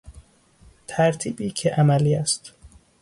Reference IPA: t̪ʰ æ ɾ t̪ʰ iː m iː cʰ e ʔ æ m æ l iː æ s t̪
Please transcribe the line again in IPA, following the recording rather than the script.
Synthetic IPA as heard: t̪ʰ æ ɾ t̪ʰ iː b iː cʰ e ʔ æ m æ l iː æ s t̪